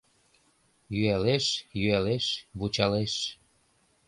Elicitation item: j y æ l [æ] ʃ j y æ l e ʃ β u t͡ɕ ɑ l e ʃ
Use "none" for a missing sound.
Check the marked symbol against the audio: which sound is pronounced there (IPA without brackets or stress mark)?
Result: e